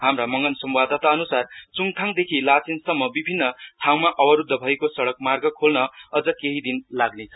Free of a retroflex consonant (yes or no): no